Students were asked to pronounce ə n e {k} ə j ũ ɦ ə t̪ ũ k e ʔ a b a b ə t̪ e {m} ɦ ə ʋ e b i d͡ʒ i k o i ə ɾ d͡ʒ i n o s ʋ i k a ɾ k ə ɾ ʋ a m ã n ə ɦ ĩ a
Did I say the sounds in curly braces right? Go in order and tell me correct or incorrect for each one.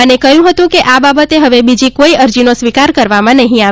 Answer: correct, incorrect: none

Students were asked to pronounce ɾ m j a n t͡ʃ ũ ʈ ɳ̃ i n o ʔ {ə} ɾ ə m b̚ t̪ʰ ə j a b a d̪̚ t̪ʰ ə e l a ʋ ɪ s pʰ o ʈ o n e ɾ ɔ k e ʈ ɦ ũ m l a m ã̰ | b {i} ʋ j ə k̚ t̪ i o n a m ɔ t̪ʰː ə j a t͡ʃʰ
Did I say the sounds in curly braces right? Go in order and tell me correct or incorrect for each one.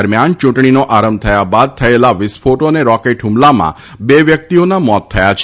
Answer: incorrect: a, incorrect: e

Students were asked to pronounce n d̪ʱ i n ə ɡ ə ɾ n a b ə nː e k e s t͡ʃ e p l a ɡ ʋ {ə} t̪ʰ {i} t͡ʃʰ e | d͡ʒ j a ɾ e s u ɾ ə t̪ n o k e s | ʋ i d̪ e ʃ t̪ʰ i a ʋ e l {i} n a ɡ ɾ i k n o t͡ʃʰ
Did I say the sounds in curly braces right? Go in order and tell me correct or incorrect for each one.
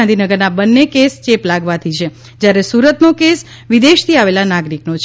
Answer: incorrect: a, correct, incorrect: a

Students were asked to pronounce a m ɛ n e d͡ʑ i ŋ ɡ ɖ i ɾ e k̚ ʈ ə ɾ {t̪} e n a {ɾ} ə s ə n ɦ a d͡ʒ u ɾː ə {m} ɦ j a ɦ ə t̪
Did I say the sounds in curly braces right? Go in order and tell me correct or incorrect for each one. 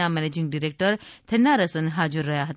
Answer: incorrect: t̪ʰ, correct, incorrect: none

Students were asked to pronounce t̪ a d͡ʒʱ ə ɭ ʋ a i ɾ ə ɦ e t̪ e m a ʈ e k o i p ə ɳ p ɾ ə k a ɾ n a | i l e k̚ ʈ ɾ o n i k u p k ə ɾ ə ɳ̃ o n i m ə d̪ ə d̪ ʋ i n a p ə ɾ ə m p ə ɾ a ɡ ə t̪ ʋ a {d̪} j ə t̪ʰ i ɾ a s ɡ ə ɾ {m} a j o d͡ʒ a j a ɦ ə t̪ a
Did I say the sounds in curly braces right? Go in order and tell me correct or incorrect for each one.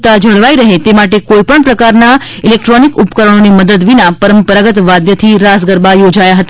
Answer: correct, incorrect: b

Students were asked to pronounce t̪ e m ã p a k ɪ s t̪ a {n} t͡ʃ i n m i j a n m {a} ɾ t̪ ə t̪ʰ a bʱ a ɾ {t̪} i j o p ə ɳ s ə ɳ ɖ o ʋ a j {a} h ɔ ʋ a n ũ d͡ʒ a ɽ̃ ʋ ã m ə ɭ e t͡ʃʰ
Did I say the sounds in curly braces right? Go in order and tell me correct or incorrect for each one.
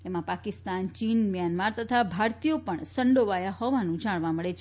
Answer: correct, correct, correct, correct

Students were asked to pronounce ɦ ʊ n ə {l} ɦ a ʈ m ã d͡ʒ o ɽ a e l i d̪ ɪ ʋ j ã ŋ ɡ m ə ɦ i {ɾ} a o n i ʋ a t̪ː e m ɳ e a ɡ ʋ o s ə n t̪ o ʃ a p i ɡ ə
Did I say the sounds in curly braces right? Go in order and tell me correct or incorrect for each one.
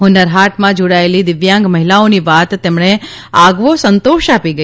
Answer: incorrect: ɾ, incorrect: l

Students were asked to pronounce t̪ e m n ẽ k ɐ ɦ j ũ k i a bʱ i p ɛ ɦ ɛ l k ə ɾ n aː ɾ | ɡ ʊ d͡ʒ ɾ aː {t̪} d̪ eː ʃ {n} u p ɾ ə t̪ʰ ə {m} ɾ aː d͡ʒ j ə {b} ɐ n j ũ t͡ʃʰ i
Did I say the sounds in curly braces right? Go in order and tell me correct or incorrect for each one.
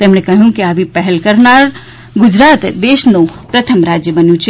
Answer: correct, correct, correct, correct

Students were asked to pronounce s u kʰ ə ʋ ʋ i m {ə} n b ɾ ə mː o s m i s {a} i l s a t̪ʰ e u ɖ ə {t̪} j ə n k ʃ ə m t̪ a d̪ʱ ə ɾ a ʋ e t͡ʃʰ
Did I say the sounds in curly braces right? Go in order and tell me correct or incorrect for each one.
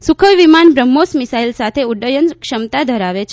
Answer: incorrect: a, correct, incorrect: none

